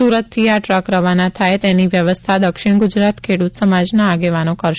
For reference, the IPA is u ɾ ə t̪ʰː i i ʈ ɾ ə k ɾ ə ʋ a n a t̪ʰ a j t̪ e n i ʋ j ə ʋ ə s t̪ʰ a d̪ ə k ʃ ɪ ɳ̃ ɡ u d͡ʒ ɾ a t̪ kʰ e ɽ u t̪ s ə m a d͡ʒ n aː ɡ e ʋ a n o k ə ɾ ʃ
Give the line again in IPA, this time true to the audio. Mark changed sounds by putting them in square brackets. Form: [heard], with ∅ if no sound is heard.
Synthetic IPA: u ɾ ə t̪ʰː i [a] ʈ ɾ ə k ɾ ə ʋ a n a t̪ʰ a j t̪ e n i ʋ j ə ʋ ə s t̪ʰ a d̪ ə k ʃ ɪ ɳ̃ ɡ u d͡ʒ ɾ a t̪ kʰ e ɽ u t̪ s ə m a d͡ʒ n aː ɡ e ʋ a n o k ə ɾ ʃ